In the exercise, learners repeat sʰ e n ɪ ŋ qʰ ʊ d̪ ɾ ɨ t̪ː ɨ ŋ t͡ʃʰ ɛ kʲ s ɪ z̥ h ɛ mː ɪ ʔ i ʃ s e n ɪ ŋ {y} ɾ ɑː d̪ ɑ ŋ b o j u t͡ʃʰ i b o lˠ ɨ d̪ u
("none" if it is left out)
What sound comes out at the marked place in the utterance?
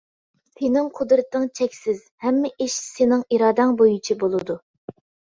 i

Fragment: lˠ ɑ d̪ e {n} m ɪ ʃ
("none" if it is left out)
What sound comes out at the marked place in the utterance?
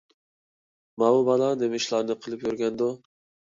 none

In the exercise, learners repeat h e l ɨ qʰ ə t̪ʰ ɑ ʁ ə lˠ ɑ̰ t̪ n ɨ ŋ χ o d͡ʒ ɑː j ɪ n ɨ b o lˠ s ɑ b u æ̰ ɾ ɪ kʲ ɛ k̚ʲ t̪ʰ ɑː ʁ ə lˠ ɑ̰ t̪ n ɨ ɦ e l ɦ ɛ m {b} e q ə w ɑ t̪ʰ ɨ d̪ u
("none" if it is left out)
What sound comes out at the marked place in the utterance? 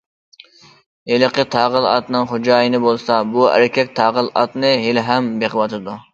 b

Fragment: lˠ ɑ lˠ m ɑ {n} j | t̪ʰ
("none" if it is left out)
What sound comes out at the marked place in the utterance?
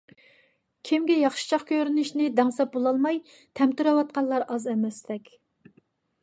none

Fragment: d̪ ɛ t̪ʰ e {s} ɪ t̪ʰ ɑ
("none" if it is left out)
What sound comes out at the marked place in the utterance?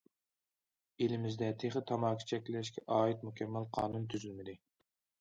χ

